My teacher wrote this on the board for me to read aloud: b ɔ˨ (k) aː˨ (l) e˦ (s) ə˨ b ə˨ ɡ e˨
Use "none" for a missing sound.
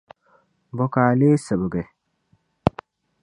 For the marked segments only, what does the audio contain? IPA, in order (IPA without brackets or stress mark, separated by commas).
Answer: k, l, s